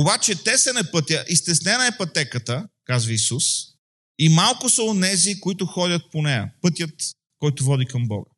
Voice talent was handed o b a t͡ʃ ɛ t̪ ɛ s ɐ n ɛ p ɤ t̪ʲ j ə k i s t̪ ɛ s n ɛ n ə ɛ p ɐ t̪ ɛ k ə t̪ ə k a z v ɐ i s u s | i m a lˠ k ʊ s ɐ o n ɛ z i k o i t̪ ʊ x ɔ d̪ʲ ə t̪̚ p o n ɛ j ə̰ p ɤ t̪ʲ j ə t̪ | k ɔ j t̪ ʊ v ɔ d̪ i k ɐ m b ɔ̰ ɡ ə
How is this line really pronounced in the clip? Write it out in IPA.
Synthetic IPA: o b a t͡ʃ ɛ t̪ ɛ s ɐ n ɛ p ɤ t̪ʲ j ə ʔ i s t̪ ɛ s n ɛ n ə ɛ p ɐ t̪ ɛ k ə t̪ ə k a z v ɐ i s u s | i m a lˠ k ʊ s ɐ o n ɛ z i k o i t̪ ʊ x ɔ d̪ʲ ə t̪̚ p o n ɛ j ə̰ p ɤ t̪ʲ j ə t̪ | k ɔ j t̪ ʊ v ɔ d̪ i k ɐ m b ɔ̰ ɡ ə